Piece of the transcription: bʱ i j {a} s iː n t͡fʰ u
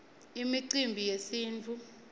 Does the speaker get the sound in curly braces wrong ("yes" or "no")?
yes